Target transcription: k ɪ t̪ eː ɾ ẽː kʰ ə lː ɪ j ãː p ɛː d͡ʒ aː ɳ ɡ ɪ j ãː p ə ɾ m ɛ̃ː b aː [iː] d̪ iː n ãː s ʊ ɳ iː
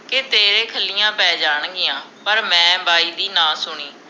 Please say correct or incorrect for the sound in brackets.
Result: correct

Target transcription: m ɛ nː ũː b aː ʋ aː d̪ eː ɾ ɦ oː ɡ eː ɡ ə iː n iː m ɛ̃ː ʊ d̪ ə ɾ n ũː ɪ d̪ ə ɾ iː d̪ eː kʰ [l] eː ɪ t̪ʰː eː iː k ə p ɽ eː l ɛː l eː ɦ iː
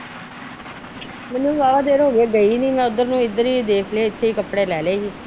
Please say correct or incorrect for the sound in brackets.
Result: correct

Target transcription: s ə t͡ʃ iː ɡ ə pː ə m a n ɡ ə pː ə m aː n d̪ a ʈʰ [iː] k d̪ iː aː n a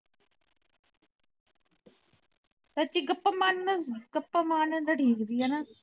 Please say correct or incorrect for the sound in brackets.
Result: correct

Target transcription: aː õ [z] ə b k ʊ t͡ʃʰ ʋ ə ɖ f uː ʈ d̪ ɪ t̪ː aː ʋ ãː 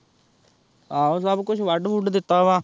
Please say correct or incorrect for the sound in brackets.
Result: incorrect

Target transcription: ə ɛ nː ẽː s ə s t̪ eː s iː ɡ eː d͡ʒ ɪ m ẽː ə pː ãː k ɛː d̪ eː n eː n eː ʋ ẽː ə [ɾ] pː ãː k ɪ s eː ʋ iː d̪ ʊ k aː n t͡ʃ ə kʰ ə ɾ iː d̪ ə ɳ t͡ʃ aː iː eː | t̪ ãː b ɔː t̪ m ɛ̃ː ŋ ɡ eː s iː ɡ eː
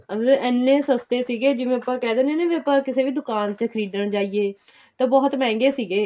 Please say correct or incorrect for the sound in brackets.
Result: incorrect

